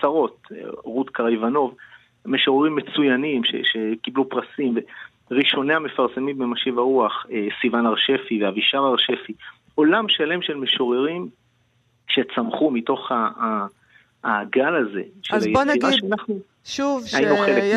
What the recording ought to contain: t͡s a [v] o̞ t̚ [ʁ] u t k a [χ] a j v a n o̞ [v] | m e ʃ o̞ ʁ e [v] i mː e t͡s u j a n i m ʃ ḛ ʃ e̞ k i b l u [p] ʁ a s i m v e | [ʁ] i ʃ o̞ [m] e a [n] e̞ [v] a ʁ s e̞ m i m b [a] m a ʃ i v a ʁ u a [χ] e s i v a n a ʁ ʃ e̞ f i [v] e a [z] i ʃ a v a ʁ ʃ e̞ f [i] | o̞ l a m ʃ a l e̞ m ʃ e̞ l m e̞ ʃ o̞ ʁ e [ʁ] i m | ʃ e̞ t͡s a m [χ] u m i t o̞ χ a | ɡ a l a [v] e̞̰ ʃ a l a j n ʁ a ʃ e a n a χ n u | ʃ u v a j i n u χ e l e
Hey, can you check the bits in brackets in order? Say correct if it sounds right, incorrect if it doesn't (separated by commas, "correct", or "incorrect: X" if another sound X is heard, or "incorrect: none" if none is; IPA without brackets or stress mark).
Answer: incorrect: ʁ, correct, incorrect: ʁ, correct, incorrect: ʁ, correct, correct, incorrect: n, incorrect: m, incorrect: f, incorrect: e, correct, correct, incorrect: v, correct, correct, correct, incorrect: z